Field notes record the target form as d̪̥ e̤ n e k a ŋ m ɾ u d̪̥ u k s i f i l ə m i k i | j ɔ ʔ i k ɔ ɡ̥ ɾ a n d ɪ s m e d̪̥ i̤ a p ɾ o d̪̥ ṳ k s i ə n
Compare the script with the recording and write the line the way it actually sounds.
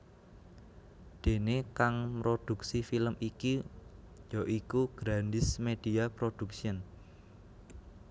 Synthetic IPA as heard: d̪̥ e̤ n e k a ŋ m ɾ o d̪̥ u k s i f i l ə m i k i | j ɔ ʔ i k u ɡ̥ ɾ a n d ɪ s m e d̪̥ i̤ a p ɾ o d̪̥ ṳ k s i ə n

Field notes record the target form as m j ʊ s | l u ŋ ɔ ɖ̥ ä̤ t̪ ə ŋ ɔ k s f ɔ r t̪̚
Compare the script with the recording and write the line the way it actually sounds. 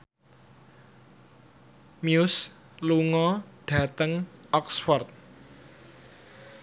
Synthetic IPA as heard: m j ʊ s | l u ŋ ɔ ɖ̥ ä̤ t̪ ə ŋ ɔ k s f ɔ r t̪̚

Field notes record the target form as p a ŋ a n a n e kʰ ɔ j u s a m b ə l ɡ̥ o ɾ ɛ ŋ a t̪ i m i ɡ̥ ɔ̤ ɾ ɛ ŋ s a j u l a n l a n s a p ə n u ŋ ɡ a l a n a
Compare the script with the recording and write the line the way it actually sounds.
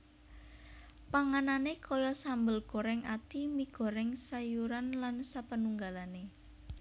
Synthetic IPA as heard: p a ŋ a n a n e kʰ ɔ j ɔ s a m b ə l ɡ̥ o ɾ ɛ ŋ a t̪ i m i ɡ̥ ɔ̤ ɾ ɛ ŋ s a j u ɾ a n l a n s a p ə n u ŋ ɡ a l a n e

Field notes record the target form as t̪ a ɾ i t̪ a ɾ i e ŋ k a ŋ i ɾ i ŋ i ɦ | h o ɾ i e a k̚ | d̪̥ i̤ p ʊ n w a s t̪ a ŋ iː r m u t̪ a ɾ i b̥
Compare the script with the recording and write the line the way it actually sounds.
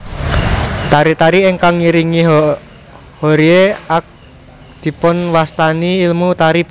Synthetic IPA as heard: t̪ a ɾ i t̪ a ɾ i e ŋ k a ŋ i ɾ i ŋ i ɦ | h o ɾ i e a k̚ | d̪̥ i̤ p ʊ n w a s t̪ a n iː l m u t̪ a ɾ i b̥

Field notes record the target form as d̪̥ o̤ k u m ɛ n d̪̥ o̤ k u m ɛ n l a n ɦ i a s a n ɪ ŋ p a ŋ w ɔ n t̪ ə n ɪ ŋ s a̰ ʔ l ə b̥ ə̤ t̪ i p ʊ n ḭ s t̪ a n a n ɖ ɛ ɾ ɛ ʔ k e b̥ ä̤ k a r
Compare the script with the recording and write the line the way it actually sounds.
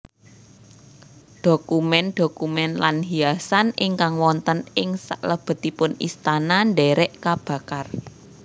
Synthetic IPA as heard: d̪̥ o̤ k u m ɛ n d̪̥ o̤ k u m ɛ n l a n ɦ i a s a n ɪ ŋ k a ŋ w ɔ n t̪ ə n ɪ ŋ s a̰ ʔ l ə b̥ ə̤ t̪ i p ʊ n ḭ s t̪ a n a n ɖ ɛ ɾ ɛ ʔ k a b̥ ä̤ k a r

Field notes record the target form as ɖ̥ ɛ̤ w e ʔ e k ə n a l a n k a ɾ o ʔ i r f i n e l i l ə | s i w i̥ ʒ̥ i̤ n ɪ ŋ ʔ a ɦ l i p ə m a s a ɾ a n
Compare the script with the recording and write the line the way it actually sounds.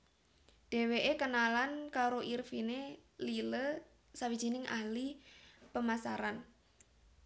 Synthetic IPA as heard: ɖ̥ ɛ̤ w e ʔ e k ə n a l a n k a ɾ o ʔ i r f i n e l i l ə | s a w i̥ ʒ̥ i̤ n ɪ ŋ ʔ a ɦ l i p ə m a s a ɾ a n

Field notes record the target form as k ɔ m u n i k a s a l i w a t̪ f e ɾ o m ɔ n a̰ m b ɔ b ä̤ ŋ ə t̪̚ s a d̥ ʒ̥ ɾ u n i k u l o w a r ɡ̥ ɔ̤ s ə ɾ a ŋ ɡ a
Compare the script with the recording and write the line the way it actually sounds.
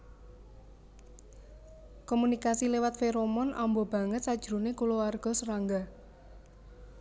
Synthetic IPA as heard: k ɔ m u n i k a s i l e w a t̪ f e ɾ o m ɔ n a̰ m b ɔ b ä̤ ŋ ə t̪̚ s a d̥ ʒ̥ ɾ u n e k u l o w a r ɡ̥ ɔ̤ s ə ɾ a ŋ ɡ a

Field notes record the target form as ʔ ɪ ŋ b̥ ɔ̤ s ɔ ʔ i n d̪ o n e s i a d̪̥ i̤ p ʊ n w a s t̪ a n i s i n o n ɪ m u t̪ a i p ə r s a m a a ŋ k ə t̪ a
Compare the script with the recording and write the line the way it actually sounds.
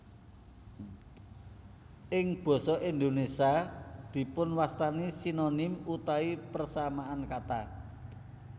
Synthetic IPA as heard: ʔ ɪ ŋ b̥ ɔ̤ s ɔ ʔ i n d̪ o n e s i a d̪̥ i̤ p ʊ n w a s t̪ a n i s i n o n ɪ m u t̪ a i p ə r s a m a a n k a t̪ a

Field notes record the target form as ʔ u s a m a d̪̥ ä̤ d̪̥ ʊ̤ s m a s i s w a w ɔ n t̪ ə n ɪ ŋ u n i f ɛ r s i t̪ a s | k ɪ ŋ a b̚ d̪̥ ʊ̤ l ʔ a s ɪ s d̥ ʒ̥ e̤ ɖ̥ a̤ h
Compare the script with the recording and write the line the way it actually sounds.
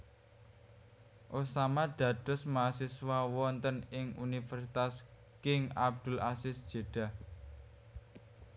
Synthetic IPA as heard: ʔ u s a m a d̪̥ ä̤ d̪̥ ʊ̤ s m a s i s w a w ɔ n t̪ ə n ɪ ŋ u n i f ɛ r s i t̪ a s | k ɪ ŋ a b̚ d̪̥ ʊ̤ l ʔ a s ɪ s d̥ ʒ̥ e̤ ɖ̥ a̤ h

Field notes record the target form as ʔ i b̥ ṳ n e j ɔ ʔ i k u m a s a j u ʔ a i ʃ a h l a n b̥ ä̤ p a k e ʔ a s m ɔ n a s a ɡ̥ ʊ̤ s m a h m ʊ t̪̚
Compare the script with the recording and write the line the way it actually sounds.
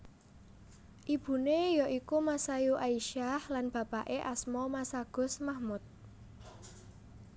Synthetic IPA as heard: ʔ i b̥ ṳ n e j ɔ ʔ i k u m a s a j u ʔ a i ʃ a h l a n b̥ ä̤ p a ʔ e ʔ a s m ɔ m a s a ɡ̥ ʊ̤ s m a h m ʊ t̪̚

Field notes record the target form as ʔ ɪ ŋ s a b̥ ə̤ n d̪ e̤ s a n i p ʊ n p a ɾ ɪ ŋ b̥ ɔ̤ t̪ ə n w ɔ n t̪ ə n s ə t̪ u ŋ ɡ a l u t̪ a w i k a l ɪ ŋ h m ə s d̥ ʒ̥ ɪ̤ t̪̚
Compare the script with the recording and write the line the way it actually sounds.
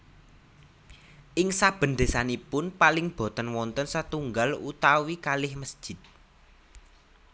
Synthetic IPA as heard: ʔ ɪ ŋ s a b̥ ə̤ n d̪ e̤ s a n i p ʊ n p a l ɪ ŋ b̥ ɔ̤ t̪ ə n w ɔ n t̪ ə n s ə t̪ u ŋ ɡ a l u t̪ a w i k a l ɪ h m ə s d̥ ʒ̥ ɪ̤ t̪̚

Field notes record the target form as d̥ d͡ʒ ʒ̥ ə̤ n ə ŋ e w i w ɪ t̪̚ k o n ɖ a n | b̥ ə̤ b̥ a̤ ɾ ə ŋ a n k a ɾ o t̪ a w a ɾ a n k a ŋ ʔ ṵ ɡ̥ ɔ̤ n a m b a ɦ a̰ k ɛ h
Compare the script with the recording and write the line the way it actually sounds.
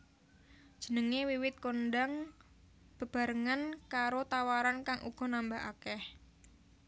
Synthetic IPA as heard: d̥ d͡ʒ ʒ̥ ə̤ n ə ŋ e w i w ɪ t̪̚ k o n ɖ a ŋ | b̥ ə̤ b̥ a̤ ɾ ə ŋ a n k a ɾ o t̪ a w a ɾ a n k a ŋ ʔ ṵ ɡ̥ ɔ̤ n a m b a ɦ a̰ k ɛ h

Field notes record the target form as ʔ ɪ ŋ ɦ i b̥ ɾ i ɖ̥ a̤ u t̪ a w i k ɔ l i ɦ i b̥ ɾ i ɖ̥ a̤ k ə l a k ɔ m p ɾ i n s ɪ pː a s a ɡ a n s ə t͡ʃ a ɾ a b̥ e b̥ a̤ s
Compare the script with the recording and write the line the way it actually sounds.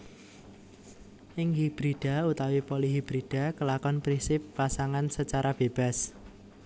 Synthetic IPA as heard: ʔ ɪ ŋ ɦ i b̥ ɾ i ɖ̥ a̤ u t̪ a w i p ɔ l i ɦ i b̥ ɾ i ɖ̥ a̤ k ə l a k ɔ n p ɾ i n s ɪ pː a s a ŋ a n s ə t͡ʃ a ɾ a b̥ e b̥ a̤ s

